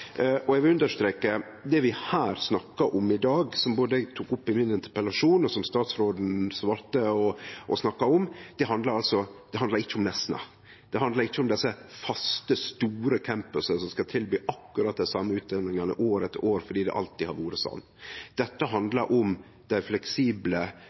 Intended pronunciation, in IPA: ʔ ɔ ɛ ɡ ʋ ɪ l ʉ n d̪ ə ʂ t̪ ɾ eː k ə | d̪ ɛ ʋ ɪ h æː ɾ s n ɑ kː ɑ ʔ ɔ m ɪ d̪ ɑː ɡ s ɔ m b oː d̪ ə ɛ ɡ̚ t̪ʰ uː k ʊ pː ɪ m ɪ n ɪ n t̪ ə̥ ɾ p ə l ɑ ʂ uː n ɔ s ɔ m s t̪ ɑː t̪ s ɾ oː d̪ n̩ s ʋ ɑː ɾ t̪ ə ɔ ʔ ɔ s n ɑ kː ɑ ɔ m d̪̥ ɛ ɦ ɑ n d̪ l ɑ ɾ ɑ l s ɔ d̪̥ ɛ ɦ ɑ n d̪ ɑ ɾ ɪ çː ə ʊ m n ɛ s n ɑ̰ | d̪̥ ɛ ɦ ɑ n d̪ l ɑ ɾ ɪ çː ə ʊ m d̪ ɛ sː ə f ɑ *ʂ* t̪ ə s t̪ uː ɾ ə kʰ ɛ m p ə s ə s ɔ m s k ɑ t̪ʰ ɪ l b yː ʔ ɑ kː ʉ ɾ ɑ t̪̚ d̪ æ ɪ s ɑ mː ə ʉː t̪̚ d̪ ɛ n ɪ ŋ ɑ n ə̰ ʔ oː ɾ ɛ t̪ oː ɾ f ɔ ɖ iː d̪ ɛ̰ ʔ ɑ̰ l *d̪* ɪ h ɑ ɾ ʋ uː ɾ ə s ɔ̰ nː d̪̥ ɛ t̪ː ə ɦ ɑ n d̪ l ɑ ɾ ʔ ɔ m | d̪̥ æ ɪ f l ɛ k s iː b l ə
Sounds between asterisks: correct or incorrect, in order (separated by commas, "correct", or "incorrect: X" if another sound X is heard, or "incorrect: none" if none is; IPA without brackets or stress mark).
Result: incorrect: s, incorrect: t̪